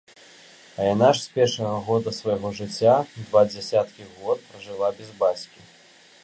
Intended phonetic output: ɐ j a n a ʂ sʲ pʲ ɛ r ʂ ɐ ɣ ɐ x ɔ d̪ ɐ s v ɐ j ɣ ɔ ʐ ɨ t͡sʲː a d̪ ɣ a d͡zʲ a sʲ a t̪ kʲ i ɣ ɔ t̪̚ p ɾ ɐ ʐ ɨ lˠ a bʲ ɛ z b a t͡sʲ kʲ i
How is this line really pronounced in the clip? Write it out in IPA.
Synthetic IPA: ɐ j a n a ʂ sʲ pʲ ɛ r ʂ ɐ ɣ ɐ ɣ ɔ d̪ ɐ s v ɐ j ɣ ɔ ʐ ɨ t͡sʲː a d̪ v a d͡zʲ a sʲ a t̪ kʲ i ɣ ɔ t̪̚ p ɾ ɐ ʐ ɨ lˠ a bʲ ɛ z b a t͡sʲ kʲ i